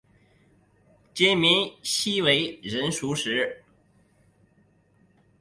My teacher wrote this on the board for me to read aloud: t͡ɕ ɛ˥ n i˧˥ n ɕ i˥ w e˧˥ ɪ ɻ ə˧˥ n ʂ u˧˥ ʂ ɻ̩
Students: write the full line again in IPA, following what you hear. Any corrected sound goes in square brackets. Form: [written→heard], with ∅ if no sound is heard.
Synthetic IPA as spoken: t͡ɕ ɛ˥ [n→m] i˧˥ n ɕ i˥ w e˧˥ ɪ ɻ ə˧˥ n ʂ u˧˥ ʂ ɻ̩